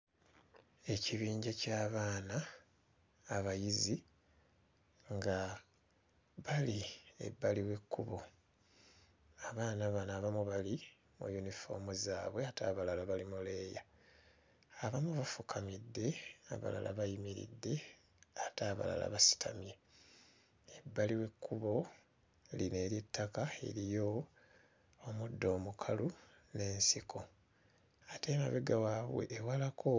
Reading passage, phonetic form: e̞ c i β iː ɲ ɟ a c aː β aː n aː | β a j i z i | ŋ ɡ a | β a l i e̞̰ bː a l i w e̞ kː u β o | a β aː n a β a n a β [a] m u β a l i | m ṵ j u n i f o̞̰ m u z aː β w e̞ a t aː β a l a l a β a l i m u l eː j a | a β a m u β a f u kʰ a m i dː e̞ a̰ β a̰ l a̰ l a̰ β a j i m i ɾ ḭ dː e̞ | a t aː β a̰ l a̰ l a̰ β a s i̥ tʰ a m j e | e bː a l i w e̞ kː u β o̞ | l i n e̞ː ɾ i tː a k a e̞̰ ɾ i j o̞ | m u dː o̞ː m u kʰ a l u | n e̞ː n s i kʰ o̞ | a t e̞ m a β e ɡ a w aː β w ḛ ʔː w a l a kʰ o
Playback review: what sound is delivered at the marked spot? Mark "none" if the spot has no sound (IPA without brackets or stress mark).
a